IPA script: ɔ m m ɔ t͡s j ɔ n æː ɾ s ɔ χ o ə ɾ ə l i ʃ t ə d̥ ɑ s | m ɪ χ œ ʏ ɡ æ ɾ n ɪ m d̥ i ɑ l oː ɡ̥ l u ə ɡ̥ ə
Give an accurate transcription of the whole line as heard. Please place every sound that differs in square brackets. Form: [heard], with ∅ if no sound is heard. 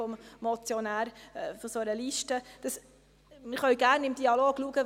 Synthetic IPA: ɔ m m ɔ t͡s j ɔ n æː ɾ [f] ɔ [s] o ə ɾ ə l i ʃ t ə d̥ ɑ s | m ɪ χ œ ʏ ɡ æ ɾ n ɪ m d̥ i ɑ l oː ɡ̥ l u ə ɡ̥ ə